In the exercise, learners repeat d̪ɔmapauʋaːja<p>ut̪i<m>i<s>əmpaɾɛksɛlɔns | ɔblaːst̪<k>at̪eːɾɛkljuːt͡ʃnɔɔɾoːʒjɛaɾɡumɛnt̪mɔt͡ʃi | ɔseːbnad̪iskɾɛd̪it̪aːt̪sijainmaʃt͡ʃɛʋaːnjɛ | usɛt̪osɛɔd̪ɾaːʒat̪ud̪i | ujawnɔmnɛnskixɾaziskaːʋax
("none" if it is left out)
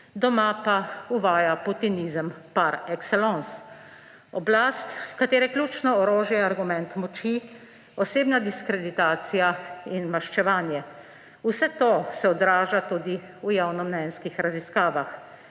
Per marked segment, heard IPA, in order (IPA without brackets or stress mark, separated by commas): p, n, z, k